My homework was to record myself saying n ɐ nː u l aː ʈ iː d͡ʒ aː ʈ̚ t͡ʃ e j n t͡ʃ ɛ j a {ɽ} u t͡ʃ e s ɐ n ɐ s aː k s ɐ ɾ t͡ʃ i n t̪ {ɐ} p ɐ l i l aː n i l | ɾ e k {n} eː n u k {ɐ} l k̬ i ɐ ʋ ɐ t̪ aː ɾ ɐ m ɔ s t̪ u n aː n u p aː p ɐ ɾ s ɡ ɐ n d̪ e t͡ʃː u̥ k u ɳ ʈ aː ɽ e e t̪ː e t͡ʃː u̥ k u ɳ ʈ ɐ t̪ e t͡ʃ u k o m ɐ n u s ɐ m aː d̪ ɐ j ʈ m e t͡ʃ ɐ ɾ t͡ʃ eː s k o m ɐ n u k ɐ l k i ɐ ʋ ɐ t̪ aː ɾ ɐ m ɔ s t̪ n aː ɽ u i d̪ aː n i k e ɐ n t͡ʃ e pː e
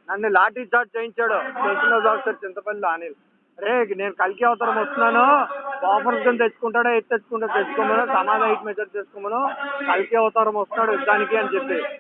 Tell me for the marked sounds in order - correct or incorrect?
correct, correct, correct, correct

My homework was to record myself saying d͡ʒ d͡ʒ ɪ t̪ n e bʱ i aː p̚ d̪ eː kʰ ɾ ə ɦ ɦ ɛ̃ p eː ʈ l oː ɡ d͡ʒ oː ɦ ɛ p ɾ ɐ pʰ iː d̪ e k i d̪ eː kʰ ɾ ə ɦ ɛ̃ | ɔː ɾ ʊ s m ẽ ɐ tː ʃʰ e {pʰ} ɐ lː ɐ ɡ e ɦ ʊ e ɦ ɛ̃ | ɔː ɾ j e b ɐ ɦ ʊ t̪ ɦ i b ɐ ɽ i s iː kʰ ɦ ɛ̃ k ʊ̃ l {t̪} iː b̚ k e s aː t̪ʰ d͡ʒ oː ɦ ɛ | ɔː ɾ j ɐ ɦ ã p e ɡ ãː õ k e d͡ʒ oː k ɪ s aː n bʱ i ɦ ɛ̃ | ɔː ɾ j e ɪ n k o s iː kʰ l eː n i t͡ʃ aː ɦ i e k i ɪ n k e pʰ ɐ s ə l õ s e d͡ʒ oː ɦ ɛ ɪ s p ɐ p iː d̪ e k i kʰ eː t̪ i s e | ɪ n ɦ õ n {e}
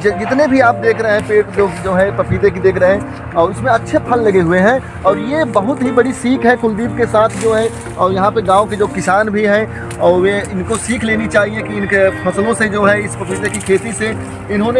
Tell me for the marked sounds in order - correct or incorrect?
correct, incorrect: d̪, correct

